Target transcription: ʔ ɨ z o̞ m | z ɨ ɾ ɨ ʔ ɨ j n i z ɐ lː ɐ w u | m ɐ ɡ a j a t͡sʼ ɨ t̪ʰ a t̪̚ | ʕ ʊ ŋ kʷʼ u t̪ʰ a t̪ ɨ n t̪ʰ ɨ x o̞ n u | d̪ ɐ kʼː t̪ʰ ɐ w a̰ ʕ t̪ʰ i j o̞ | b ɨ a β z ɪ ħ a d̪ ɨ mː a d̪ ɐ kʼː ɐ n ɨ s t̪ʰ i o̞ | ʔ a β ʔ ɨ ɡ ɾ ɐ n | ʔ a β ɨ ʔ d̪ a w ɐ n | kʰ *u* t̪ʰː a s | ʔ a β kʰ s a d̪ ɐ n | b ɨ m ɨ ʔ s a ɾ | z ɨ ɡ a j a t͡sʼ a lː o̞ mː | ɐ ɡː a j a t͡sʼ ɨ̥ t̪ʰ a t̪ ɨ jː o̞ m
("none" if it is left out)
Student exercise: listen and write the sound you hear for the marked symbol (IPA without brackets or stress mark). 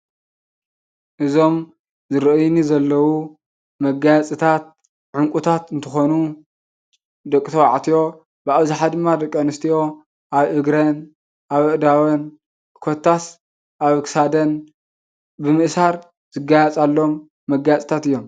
o